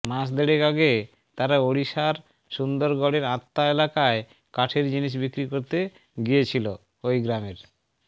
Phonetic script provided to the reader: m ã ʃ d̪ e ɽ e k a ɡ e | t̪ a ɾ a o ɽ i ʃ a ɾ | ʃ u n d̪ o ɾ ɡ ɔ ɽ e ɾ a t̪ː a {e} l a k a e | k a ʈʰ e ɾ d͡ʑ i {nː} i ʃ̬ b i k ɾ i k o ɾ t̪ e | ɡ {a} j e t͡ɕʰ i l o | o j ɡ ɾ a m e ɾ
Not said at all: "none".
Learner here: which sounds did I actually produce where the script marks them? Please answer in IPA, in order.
e, n, i

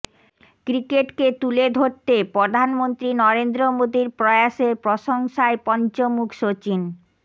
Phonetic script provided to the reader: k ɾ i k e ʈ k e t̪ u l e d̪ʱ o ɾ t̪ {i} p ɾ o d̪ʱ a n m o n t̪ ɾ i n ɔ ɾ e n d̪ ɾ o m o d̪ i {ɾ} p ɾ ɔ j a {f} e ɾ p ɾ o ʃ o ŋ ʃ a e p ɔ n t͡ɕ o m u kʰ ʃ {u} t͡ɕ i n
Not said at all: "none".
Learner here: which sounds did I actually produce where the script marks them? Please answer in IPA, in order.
e, ɾ, ʃ, o

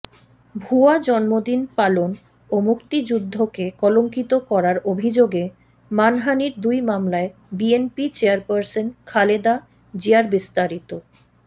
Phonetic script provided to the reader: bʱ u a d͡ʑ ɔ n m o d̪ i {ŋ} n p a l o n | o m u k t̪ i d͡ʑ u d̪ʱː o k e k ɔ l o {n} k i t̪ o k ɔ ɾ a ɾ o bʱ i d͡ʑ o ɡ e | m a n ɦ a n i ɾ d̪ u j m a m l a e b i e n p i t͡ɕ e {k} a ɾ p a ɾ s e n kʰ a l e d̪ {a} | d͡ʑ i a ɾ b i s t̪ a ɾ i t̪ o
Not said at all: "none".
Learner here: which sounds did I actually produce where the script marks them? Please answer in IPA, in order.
none, ŋ, none, a

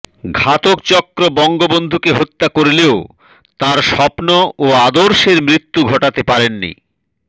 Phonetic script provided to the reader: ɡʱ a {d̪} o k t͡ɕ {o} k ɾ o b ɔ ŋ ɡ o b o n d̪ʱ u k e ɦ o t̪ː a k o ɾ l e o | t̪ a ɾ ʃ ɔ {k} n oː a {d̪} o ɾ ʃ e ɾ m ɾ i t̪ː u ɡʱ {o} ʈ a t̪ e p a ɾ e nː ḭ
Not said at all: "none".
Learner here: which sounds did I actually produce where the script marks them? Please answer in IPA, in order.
t̪, ɔ, p, d̪, ɔ

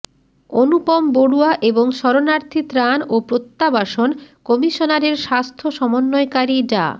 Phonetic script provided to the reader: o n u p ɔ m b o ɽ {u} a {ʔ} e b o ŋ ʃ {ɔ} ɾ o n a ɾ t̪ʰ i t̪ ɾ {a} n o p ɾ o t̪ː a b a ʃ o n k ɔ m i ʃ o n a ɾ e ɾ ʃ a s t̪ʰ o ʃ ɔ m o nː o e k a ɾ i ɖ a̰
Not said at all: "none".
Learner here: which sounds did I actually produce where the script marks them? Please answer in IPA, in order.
u, ʔ, ɔ, a

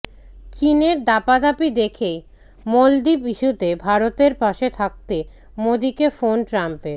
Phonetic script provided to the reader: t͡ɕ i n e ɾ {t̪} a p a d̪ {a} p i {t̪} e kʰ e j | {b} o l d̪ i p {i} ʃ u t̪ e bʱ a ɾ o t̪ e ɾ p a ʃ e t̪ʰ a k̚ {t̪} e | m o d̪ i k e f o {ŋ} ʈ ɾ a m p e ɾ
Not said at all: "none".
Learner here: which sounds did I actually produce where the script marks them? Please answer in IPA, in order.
d̪, a, d̪, m, i, t̪, n

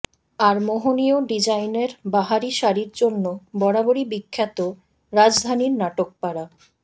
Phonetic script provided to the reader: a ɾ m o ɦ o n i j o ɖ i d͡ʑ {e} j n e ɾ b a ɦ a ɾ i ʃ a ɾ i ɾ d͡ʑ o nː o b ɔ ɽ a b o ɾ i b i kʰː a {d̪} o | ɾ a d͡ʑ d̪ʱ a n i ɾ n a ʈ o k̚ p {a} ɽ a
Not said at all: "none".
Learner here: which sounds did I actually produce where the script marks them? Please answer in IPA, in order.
a, t̪, a

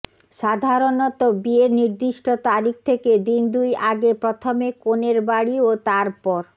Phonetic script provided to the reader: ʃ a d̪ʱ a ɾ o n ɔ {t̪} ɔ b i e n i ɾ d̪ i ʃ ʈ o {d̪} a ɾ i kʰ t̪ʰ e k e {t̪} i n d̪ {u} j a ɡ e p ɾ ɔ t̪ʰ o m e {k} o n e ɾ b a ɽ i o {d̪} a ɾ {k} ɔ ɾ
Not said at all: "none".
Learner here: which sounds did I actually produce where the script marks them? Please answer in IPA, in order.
t̪, t̪, d̪, u, k, t̪, p

